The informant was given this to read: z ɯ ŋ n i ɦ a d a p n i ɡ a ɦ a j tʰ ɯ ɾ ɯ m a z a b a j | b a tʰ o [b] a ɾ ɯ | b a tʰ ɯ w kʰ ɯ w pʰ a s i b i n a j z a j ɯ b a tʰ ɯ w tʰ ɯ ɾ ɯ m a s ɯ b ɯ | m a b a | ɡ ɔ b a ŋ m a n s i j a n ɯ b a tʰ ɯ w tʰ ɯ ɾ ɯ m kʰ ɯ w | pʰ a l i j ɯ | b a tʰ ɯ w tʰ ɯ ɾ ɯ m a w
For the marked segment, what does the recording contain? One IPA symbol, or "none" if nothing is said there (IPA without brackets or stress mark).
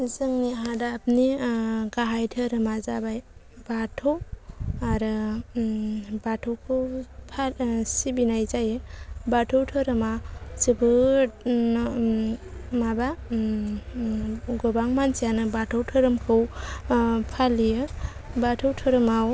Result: w